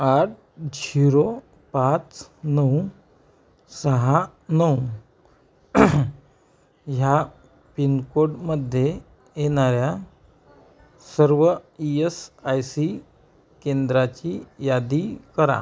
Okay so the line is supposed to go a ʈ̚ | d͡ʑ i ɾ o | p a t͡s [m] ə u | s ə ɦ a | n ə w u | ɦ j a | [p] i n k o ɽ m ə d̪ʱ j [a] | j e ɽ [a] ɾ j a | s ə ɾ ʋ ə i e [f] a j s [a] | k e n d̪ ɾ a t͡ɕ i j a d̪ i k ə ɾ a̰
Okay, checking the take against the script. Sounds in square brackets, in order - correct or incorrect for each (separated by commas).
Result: incorrect, correct, incorrect, correct, incorrect, incorrect